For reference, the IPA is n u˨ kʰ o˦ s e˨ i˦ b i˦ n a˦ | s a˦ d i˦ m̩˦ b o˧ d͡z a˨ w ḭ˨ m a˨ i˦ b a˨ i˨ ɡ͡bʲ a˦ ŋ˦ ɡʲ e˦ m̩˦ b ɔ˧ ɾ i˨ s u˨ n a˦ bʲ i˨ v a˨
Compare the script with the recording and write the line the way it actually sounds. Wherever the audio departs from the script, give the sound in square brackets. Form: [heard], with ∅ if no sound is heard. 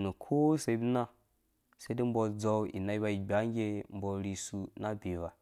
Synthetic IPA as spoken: n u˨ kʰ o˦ s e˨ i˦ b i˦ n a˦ | s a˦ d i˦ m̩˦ b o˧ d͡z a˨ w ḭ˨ [n] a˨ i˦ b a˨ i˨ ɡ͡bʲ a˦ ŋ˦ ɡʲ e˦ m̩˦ b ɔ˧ ɾ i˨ s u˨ n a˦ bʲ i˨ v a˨